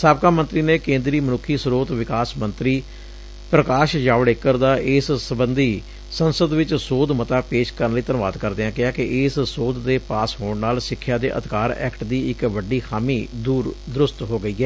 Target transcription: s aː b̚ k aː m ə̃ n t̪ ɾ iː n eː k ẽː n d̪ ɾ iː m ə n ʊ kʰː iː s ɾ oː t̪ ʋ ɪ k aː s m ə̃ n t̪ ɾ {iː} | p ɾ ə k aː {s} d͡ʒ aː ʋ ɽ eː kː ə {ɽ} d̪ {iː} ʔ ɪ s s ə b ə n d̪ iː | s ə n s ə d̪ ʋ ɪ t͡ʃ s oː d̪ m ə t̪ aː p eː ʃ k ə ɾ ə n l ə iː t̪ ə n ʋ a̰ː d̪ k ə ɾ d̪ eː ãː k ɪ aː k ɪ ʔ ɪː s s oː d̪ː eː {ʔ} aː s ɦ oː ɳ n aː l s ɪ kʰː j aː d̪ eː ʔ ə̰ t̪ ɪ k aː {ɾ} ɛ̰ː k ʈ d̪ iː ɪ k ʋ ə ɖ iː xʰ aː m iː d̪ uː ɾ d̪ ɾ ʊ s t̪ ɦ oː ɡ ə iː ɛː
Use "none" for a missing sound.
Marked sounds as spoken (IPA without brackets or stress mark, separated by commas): iː, ʃ, ɾ, aː, p, ɾ